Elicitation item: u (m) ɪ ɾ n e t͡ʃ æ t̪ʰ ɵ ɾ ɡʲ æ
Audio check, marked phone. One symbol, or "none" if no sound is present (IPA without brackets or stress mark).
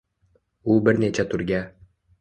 b